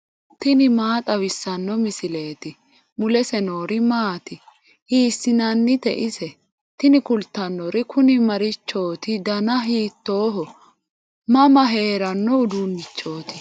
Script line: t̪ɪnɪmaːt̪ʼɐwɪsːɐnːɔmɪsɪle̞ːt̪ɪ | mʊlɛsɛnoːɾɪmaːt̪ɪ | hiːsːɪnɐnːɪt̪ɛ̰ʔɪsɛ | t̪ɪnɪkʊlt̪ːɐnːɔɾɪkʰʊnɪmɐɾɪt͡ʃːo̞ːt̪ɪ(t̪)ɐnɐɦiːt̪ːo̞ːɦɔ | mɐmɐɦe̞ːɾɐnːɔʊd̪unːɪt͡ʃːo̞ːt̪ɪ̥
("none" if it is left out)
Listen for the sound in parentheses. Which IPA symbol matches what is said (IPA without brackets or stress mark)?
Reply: d̪